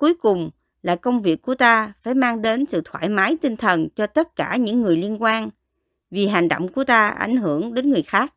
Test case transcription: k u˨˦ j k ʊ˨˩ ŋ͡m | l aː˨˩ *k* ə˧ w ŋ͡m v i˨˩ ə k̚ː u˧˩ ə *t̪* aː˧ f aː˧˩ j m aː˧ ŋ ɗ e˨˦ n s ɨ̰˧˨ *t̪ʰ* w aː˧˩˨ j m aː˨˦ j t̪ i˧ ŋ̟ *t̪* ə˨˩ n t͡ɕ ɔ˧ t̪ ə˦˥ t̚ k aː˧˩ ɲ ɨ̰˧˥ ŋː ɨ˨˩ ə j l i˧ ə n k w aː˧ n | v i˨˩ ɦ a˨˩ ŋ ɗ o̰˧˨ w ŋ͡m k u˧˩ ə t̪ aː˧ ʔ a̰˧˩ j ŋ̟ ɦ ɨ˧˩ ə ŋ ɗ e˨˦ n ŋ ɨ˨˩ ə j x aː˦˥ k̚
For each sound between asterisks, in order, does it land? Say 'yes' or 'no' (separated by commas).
yes, yes, yes, no